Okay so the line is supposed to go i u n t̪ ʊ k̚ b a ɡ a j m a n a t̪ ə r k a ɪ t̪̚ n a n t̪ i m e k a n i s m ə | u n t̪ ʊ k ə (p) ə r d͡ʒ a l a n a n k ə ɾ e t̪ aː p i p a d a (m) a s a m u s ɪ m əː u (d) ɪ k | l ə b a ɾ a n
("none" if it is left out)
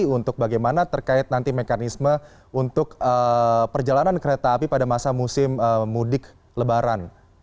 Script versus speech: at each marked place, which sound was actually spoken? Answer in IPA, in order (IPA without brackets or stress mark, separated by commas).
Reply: p, m, d